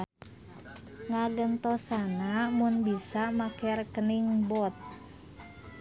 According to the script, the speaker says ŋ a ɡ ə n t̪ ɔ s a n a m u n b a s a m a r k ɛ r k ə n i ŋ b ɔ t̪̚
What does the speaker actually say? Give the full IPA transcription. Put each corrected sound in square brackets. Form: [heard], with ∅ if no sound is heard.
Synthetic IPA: ŋ a ɡ ə n t̪ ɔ s a n a m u n b [i] s a m a [∅] k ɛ r k ə n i ŋ b ɔ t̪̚